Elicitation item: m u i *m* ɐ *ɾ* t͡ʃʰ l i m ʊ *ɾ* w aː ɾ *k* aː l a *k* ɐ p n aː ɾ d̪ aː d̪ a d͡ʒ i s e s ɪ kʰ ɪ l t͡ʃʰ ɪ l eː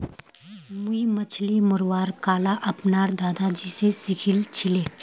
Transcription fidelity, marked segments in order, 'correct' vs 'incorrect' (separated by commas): correct, incorrect, correct, correct, incorrect